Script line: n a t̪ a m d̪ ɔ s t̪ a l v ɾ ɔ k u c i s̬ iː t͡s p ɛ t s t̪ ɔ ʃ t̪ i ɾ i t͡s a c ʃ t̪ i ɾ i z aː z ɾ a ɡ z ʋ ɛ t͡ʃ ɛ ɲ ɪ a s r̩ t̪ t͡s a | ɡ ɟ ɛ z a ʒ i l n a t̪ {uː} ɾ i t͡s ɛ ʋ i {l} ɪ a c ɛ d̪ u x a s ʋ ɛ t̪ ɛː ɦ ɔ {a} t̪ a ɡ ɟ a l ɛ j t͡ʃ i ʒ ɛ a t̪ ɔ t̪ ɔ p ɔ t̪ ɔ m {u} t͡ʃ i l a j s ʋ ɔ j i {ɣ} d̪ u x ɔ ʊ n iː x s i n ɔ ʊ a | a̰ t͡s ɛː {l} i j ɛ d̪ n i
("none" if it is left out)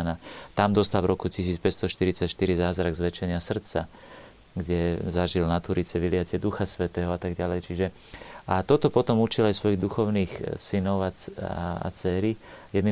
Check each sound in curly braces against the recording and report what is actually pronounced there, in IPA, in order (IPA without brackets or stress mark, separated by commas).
u, l, a, u, ɣ, ɾ